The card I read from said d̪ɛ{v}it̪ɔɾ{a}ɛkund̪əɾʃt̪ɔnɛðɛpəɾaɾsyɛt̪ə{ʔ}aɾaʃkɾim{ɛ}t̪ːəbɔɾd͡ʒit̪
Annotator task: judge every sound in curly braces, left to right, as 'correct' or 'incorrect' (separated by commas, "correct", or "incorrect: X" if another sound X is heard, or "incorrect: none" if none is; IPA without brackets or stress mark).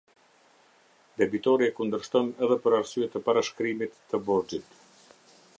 incorrect: b, incorrect: i, incorrect: p, incorrect: i